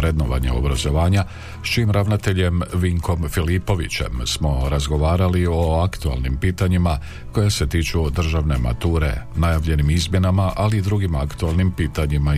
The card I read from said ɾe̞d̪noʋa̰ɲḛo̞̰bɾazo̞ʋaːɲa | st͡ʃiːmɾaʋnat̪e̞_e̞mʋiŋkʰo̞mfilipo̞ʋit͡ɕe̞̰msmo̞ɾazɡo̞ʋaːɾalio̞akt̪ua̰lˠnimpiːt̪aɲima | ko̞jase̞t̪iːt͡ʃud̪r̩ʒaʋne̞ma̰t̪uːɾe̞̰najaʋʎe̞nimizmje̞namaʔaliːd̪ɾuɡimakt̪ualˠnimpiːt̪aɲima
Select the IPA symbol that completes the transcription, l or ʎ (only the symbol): ʎ